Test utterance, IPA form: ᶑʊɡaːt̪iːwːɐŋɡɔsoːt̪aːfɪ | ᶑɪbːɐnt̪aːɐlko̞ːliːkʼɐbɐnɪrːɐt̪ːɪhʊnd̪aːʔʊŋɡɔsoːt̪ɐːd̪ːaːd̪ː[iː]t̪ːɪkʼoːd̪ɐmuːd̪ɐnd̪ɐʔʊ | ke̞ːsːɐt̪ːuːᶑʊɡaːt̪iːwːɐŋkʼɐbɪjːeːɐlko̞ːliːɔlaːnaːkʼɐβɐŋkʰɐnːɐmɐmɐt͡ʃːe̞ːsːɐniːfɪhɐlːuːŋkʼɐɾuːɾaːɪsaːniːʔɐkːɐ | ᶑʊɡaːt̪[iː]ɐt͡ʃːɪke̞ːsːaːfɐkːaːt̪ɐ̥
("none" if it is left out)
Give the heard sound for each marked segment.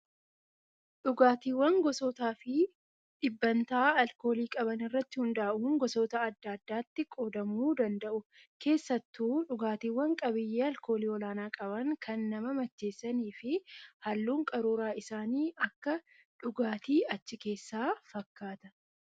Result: aː, iː

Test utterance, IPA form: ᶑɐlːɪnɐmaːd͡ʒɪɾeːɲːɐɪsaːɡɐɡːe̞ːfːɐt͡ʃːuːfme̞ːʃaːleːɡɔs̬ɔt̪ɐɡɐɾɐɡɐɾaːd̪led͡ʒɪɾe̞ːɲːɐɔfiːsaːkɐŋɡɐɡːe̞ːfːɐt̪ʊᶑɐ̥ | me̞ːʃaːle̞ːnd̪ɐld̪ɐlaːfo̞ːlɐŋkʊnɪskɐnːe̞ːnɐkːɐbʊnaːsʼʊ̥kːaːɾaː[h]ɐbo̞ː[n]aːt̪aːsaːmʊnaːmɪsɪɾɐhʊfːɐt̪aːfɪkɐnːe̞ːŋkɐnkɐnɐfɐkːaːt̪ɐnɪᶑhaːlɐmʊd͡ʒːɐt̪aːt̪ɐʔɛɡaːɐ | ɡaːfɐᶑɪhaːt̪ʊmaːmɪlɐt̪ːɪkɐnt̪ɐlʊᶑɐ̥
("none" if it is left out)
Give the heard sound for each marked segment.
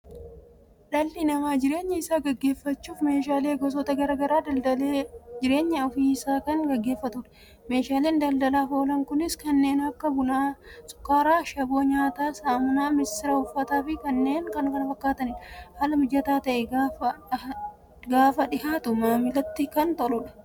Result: ʃ, ɲ

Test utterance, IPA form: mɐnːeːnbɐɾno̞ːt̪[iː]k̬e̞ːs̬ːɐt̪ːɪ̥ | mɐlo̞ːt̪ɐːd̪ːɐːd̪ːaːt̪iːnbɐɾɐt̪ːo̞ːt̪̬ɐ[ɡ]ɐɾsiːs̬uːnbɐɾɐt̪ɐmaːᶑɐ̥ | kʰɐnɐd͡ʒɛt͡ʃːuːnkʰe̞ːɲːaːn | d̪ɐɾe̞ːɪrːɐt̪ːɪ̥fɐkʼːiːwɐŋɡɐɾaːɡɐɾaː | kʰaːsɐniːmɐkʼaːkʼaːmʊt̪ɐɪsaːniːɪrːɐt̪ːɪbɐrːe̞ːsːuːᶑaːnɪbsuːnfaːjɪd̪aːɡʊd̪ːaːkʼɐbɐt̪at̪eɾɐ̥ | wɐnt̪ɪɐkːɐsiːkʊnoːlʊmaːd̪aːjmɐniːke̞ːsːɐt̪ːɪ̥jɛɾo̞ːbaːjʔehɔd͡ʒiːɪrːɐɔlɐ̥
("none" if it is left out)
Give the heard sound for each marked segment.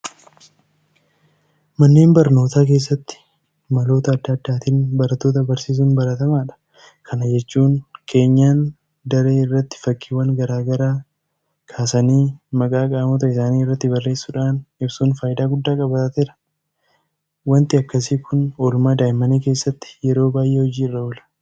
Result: aː, b

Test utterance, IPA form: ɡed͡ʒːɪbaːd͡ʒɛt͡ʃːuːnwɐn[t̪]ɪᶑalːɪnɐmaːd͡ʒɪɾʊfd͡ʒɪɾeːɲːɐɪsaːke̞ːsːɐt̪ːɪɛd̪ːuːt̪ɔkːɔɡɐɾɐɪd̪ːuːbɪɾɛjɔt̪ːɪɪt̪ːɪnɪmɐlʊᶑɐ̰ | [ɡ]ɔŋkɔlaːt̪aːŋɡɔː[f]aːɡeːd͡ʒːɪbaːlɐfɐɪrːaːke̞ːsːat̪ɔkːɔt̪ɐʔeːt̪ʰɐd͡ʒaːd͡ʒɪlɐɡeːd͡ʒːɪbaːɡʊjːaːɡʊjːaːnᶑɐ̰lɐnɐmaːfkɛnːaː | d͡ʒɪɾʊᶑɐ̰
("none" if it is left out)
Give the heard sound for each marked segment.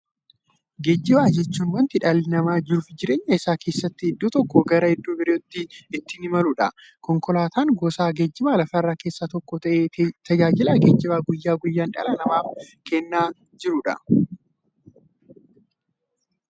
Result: t̪, k, s

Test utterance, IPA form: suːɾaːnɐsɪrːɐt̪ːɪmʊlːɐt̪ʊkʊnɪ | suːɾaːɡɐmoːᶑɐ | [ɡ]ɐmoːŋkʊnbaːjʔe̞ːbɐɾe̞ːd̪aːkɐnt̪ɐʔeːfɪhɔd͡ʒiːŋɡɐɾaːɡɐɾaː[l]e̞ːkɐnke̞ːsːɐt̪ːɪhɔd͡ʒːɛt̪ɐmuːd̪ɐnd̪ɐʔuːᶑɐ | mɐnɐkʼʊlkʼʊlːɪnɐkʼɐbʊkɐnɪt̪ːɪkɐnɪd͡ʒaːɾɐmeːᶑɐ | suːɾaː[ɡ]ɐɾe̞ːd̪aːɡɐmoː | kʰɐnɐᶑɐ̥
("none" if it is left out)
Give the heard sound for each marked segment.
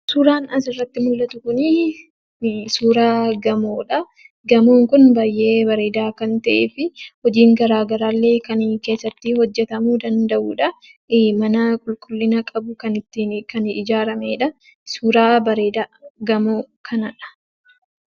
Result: ɡ, lː, b

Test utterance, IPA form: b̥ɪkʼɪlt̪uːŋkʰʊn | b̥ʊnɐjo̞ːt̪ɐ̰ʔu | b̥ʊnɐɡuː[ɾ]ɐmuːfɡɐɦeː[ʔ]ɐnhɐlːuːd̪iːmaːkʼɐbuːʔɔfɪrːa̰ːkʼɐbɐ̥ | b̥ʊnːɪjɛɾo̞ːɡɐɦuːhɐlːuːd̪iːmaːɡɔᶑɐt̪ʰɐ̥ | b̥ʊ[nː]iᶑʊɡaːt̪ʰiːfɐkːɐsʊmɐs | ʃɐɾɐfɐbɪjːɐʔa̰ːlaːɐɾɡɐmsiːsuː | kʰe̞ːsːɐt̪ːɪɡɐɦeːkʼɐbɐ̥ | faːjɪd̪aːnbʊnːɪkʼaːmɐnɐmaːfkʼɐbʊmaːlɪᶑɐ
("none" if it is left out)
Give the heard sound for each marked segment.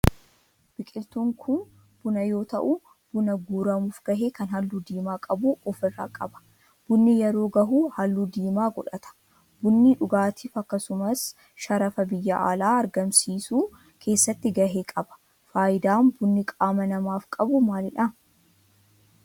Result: ɾ, k, nː

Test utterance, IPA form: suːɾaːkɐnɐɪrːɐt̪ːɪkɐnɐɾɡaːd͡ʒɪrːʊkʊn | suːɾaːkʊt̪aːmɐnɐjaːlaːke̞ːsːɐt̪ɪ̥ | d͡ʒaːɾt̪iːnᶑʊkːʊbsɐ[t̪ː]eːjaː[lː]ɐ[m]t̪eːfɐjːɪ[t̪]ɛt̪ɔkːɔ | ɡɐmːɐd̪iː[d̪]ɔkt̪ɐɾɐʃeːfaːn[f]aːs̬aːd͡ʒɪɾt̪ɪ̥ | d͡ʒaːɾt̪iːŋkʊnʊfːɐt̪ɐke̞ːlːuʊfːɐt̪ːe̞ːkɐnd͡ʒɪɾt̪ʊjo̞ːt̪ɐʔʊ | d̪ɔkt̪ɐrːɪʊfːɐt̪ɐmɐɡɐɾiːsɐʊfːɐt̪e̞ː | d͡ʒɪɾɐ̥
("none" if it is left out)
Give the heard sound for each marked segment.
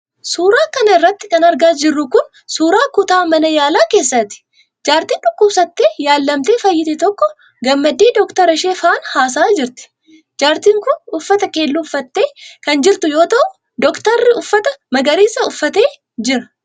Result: t̪ː, lː, m, t̪, d̪, h

